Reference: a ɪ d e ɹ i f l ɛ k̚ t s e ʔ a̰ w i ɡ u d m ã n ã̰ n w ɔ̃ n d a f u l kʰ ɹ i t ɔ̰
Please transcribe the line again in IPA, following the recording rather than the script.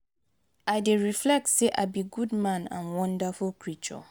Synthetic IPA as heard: a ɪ d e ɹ i f l ɛ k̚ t s e ʔ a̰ b i ɡ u d m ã n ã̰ n w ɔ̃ n d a f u l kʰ ɹ i t͡ʃ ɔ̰